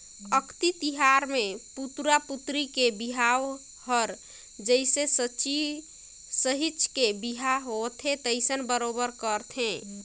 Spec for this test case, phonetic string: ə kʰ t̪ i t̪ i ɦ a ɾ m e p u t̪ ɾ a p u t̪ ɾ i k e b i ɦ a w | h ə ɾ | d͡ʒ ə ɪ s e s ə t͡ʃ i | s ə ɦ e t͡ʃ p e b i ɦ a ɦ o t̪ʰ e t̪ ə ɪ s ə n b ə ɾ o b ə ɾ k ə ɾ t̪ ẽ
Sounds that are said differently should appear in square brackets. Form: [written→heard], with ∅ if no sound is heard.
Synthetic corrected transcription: ə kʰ t̪ i t̪ i ɦ a ɾ m e p u t̪ ɾ a p u t̪ ɾ i k e b i ɦ a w | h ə ɾ | d͡ʒ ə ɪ s e s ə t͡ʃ i | s ə ɦ [e→i] t͡ʃ [p→k] e b i ɦ a ɦ o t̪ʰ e t̪ ə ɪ s ə n b ə ɾ o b ə ɾ k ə ɾ [t̪→t̪ʰ] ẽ

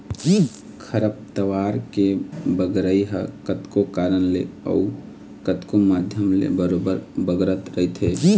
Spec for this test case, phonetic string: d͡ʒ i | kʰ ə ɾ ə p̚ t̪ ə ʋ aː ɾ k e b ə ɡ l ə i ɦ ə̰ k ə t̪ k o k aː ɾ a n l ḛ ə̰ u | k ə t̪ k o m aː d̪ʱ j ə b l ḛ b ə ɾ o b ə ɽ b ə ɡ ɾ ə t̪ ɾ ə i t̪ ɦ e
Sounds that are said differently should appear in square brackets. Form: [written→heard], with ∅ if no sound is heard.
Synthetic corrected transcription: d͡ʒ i | kʰ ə ɾ ə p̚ t̪ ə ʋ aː ɾ k e b ə ɡ [l→ɾ] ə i ɦ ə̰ k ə t̪ k o k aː ɾ [a→ə] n l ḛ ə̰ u | k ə t̪ k o m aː d̪ʱ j ə [b→m] l ḛ b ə ɾ o b ə [ɽ→ɾ] b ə ɡ ɾ ə t̪ ɾ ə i t̪ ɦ e

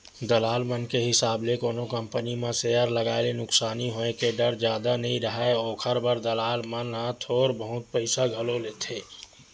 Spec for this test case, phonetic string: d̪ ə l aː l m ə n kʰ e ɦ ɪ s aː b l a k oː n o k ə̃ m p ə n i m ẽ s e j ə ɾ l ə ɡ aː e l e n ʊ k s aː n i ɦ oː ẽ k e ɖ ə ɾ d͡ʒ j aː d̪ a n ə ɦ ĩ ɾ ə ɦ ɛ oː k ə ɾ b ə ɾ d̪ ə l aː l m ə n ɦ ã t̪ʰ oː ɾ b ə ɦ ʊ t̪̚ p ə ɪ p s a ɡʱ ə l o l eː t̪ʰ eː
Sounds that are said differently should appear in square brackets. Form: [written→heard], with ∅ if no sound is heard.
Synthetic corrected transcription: d̪ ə l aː l m ə n [kʰ→k] e ɦ ɪ s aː b l [a→e] k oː n o k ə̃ m p ə n i m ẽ s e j ə ɾ l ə ɡ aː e l e n ʊ k s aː n i ɦ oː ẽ k e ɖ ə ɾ d͡ʒ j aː d̪ a n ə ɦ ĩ ɾ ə ɦ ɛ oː [k→kʰ] ə ɾ b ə ɾ d̪ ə l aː l m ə n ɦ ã t̪ʰ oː ɾ b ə ɦ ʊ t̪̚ p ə ɪ [p→∅] s a ɡʱ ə l o l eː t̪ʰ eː

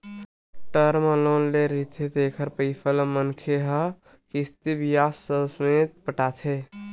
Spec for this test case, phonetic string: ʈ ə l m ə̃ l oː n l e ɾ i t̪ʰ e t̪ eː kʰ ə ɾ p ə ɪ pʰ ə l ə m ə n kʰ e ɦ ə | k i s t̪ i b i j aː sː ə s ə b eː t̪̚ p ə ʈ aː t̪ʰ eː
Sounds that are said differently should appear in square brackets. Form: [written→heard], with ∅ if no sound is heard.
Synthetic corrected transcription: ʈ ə [l→ɾ] m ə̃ l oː n l e ɾ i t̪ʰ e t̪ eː kʰ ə ɾ p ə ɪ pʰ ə l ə m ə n kʰ e ɦ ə | k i s t̪ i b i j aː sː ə s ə [b→m] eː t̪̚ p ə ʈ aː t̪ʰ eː

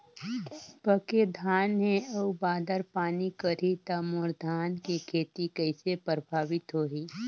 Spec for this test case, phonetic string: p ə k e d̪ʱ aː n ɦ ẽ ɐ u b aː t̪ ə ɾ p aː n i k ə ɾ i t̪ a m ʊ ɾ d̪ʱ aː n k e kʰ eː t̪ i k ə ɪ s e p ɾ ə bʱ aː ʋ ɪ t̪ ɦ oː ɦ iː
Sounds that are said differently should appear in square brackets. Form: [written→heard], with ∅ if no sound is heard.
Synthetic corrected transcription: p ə k e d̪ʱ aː n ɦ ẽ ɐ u b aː [t̪→d̪] ə ɾ p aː n i k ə ɾ i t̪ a m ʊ ɾ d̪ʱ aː n k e kʰ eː t̪ i k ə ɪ s e p ɾ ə bʱ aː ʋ ɪ t̪ ɦ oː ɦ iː

